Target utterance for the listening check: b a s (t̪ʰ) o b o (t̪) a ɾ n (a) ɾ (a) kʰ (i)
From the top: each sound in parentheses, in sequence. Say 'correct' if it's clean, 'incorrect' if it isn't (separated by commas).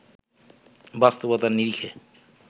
incorrect, correct, incorrect, incorrect, incorrect